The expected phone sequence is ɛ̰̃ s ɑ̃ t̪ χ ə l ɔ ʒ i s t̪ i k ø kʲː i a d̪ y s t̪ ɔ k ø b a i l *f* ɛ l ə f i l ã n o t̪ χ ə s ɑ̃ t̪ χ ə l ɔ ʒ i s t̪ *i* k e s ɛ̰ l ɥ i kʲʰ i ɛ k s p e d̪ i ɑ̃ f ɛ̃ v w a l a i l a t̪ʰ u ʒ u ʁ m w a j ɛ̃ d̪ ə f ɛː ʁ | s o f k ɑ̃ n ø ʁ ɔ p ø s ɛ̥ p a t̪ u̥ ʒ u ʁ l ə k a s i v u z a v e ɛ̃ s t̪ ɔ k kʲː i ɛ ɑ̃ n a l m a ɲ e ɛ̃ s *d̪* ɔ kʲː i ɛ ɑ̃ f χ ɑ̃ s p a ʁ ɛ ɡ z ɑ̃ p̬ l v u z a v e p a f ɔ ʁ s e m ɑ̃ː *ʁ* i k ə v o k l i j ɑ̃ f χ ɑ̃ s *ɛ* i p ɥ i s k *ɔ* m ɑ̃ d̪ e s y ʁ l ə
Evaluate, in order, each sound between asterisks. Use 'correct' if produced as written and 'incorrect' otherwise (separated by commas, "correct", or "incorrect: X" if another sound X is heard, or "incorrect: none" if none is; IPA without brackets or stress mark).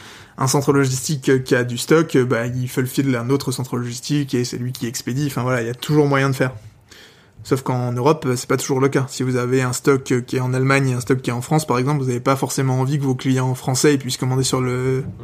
correct, correct, incorrect: t̪, incorrect: v, correct, correct